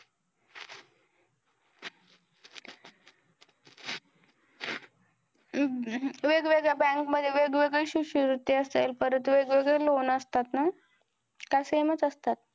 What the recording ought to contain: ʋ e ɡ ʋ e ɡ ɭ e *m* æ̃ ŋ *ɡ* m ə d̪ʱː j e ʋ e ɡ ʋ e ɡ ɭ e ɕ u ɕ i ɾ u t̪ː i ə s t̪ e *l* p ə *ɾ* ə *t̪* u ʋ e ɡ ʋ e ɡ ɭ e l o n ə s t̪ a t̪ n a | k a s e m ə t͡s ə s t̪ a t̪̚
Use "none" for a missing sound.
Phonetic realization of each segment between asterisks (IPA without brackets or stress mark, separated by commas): b, k, l, ɾ, t̪